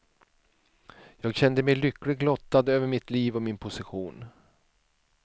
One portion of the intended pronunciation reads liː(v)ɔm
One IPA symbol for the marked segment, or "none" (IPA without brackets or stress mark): v